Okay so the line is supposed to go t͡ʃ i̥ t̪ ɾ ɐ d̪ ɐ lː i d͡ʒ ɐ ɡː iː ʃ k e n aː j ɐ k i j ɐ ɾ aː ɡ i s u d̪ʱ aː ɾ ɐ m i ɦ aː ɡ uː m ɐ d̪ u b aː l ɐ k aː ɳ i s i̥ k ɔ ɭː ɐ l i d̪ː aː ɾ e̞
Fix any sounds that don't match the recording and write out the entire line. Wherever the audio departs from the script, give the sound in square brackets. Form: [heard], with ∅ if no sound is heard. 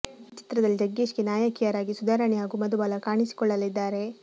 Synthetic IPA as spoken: t͡ʃ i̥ t̪ ɾ ɐ d̪ ɐ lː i d͡ʒ ɐ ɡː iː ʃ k e n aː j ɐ k i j ɐ ɾ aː ɡ i s u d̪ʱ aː ɾ ɐ [ɳ] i ɦ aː ɡ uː m ɐ d̪ u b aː l ɐ k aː ɳ i s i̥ k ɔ ɭː ɐ l i d̪ː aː ɾ e̞